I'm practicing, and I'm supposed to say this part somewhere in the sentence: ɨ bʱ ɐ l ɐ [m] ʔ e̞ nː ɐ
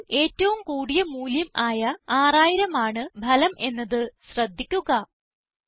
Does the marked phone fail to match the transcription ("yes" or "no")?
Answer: no